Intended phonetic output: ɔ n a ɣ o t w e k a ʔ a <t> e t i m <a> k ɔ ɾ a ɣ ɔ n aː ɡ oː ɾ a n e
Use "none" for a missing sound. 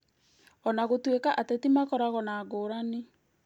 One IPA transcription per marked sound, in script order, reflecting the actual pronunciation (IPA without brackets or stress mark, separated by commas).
t, a